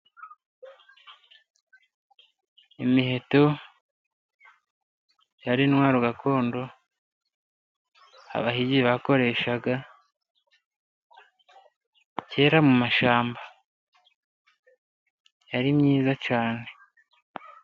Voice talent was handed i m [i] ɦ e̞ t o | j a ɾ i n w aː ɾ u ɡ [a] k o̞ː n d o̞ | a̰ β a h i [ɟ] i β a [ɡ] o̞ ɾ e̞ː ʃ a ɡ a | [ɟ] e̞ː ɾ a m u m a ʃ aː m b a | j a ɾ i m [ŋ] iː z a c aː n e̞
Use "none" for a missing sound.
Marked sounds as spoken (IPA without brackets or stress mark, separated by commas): i, a, ɟ, k, c, ɲ